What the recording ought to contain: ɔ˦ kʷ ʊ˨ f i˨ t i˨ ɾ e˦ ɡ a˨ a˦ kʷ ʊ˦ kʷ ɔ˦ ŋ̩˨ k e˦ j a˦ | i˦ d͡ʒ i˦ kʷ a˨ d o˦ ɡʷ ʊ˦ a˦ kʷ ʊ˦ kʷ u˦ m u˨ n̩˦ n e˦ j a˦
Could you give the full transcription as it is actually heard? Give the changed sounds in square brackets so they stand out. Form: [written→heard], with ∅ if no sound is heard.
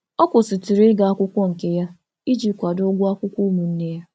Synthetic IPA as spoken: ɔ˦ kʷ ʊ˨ [f→s] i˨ t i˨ ɾ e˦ ɡ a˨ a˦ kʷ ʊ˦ kʷ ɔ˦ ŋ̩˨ k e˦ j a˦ | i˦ d͡ʒ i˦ kʷ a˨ d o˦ ɡʷ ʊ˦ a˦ kʷ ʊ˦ kʷ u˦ m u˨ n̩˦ n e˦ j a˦